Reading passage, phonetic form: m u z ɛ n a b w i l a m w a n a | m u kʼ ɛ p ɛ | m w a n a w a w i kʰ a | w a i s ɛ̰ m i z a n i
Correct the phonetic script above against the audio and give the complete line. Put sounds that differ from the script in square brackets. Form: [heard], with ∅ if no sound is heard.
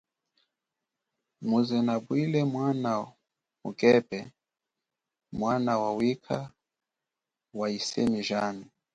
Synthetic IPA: m u z ɛ n a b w i l [ɛ] m w a n a | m u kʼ ɛ p ɛ | m w a n a w a w i kʰ a | w a i s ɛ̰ m i [ʒ] a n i